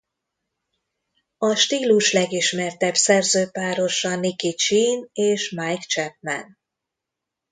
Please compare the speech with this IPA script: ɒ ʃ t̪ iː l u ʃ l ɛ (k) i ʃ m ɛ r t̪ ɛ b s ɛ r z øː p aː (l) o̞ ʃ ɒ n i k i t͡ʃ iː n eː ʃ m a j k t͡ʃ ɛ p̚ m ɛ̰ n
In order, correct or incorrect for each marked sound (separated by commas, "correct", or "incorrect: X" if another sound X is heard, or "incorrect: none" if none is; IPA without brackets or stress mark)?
incorrect: ɡ, incorrect: ɾ